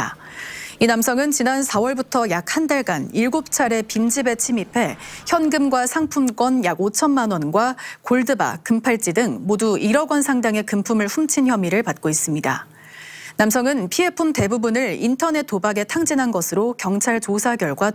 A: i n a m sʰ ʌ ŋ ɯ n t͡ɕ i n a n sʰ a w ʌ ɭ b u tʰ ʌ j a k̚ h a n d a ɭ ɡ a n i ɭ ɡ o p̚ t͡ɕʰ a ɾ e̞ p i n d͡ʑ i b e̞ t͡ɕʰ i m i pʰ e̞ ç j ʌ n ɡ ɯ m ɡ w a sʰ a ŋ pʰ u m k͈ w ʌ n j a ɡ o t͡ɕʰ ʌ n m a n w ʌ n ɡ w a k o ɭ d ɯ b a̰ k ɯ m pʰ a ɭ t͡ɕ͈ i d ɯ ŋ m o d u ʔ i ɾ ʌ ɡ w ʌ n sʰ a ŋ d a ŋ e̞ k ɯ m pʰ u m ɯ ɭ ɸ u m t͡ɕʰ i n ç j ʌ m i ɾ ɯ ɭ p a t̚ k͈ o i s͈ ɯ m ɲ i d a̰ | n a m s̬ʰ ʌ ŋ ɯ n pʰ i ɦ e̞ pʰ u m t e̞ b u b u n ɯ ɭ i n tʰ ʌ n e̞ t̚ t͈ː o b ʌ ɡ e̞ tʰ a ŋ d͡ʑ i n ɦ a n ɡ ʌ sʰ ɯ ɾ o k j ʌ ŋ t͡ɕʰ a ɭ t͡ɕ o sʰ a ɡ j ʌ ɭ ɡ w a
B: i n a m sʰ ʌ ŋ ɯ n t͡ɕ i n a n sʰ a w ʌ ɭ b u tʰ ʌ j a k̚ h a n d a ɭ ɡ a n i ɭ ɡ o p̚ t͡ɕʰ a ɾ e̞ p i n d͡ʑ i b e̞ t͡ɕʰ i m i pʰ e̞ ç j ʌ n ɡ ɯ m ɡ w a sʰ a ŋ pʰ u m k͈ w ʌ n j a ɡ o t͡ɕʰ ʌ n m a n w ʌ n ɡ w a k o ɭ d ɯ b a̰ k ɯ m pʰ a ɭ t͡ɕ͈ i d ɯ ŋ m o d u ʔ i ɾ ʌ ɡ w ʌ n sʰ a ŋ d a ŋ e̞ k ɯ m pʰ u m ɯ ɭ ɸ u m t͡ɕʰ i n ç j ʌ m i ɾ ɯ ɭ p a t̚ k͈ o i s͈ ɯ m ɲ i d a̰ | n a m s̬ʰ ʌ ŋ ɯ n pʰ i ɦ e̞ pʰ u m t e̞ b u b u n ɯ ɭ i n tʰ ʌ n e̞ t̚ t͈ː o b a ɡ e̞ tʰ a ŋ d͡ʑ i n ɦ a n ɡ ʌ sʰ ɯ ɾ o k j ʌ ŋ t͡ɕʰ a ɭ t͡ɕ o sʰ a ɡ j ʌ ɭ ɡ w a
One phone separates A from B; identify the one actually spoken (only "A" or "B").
B